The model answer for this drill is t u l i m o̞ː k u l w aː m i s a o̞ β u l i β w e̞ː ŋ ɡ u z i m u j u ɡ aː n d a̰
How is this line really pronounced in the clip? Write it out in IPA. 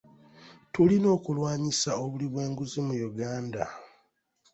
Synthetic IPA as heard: t u l i n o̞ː k u l w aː ɲ i s a o̞ β u l i β w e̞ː ŋ ɡ u z i m u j u ɡ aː n d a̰